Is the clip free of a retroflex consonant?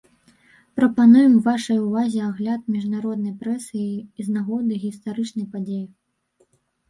no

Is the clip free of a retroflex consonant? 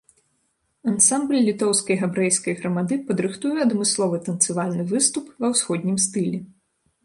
yes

